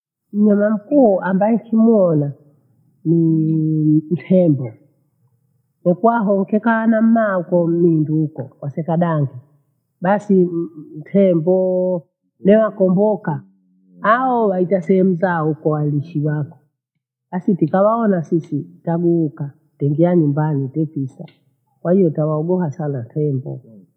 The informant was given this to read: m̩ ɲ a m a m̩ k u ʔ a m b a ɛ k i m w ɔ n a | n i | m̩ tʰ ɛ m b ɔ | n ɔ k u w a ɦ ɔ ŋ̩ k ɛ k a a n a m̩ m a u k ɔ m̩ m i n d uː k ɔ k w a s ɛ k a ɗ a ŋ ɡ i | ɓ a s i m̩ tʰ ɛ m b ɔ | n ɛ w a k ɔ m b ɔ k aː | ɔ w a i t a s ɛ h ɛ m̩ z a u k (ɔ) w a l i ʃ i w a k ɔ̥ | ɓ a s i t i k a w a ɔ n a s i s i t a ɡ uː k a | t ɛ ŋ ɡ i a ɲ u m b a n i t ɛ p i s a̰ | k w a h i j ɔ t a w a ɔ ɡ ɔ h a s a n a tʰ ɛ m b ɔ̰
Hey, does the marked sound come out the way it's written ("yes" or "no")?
yes